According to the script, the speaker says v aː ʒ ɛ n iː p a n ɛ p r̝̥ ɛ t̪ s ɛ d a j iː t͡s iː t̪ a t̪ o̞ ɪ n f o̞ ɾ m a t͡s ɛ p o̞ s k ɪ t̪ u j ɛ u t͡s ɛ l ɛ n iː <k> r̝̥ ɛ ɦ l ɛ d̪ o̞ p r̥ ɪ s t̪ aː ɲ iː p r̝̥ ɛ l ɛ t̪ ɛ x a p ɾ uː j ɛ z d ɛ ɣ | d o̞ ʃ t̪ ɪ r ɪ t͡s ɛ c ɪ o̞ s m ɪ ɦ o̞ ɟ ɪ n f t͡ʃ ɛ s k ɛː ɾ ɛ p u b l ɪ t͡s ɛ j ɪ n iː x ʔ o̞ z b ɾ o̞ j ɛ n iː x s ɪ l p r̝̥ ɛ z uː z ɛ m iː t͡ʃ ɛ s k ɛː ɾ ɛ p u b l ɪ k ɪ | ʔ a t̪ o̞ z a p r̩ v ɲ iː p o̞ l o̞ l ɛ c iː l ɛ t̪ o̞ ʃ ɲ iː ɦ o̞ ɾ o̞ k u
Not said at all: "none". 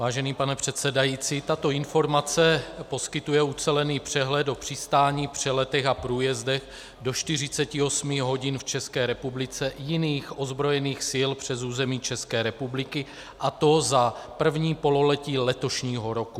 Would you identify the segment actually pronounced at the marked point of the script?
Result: p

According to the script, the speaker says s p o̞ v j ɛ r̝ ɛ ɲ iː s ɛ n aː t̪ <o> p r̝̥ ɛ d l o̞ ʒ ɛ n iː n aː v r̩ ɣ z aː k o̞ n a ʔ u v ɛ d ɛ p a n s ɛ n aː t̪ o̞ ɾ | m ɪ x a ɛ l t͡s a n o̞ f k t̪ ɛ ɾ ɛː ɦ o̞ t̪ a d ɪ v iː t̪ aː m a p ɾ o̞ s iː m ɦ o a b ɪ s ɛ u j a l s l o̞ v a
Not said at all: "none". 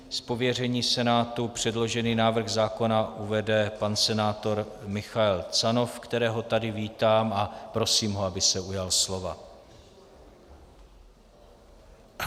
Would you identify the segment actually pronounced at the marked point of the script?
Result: u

